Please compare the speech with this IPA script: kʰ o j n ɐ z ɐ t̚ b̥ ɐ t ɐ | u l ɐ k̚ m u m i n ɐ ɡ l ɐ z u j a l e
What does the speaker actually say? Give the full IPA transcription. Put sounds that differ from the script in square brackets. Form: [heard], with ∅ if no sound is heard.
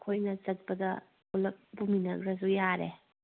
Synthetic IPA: kʰ o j n ɐ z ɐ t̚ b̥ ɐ [d] ɐ | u l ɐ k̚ [b] u m i n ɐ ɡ [ɾ] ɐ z u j a [ɾ] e